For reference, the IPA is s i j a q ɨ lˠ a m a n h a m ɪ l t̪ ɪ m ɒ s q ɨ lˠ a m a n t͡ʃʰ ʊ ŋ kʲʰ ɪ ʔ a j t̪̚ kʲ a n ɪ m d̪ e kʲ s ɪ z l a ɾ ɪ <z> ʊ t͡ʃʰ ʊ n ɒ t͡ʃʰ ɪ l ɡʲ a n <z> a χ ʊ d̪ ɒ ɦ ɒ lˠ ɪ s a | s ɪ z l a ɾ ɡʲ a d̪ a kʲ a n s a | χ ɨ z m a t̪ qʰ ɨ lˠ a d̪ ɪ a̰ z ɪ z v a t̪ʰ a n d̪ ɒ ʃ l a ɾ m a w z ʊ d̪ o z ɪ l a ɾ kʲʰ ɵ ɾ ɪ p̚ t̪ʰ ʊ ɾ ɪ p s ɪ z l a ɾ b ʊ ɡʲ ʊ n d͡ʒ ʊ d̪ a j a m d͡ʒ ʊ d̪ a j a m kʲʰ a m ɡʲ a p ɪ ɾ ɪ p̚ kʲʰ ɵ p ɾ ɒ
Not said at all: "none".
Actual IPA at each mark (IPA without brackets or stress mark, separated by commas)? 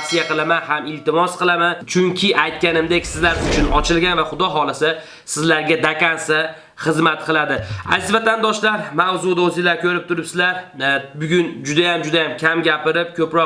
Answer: z, v